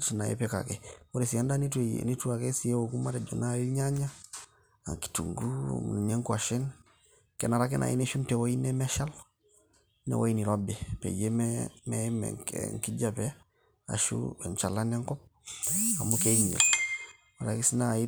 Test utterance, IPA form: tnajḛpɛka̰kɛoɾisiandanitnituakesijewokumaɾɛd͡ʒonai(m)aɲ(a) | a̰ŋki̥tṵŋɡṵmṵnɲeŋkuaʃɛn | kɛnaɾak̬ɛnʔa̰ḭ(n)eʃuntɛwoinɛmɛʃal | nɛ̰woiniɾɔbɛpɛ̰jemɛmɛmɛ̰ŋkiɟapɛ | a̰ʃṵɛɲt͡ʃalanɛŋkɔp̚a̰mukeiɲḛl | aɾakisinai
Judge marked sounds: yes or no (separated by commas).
no, yes, yes